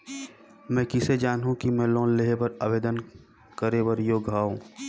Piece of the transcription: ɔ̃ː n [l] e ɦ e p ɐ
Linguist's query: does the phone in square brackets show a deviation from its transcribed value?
no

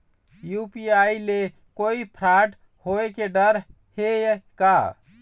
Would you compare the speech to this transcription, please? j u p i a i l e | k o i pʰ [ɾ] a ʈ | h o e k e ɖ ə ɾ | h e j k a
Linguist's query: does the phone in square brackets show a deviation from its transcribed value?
no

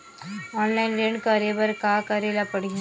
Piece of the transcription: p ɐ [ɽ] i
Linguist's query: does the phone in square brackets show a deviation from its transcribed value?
no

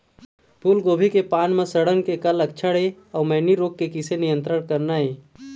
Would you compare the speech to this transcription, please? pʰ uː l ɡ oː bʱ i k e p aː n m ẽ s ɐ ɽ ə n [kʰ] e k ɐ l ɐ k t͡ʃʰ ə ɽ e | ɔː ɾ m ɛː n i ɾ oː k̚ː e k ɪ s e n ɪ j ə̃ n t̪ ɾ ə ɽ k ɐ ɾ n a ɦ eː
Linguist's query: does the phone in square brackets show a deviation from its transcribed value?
yes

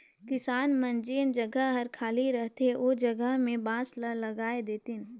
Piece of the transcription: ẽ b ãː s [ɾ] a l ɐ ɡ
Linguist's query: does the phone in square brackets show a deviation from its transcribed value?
yes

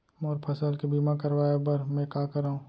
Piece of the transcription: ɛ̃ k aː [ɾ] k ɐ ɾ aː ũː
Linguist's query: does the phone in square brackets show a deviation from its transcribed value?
yes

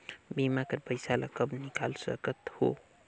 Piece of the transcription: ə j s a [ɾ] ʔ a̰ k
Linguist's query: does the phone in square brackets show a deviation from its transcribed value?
yes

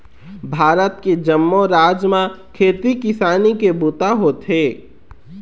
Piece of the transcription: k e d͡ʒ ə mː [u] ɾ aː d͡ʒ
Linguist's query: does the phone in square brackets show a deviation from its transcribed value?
yes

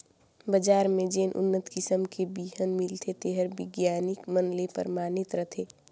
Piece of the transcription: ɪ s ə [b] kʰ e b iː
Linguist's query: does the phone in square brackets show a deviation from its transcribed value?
yes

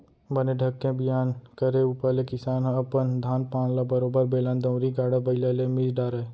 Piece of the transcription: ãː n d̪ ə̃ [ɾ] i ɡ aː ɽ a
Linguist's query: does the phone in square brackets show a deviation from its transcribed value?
no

